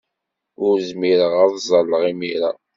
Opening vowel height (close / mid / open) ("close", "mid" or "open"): close